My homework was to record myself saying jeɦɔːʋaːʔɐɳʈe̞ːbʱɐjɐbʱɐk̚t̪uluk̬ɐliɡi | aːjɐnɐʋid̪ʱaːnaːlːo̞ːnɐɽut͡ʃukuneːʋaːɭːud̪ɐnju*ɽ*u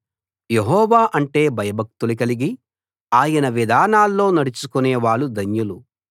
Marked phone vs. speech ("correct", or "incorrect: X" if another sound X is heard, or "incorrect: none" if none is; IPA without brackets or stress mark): incorrect: l